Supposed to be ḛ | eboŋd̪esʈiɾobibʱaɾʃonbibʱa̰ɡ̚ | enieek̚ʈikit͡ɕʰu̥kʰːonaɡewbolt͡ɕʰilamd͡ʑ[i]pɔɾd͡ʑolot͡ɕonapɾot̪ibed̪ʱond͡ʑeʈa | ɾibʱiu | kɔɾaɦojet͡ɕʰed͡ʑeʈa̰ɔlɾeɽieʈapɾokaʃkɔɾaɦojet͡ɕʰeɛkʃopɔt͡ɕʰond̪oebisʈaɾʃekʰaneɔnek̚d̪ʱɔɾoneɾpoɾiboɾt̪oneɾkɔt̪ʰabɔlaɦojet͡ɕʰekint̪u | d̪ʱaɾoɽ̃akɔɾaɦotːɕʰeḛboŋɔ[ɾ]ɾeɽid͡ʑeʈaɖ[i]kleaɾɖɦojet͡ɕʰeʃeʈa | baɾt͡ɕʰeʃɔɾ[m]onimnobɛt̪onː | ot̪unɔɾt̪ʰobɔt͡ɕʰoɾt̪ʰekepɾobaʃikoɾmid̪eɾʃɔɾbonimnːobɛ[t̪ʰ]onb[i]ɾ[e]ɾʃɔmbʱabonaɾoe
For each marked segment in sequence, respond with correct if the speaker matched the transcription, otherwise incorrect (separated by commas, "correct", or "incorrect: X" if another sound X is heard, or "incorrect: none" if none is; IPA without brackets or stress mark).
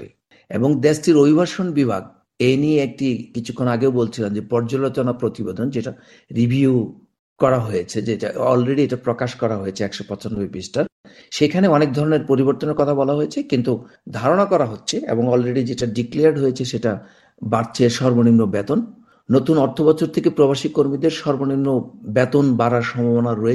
incorrect: e, incorrect: l, correct, incorrect: b, incorrect: t̪, incorrect: a, incorrect: a